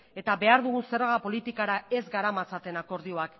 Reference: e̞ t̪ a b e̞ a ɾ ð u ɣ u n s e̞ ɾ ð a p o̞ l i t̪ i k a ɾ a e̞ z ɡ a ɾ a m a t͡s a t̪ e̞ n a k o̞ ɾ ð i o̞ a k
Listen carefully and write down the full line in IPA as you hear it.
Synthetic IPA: e̞ t̪ a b e̞ a ɾ ð u ɣ u n s e̞ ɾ ɣ a p o̞ l i t̪ i k a ɾ a e̞ z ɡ a ɾ a m a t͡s a t̪ e̞ n a k o̞ ɾ ð i o̞ a k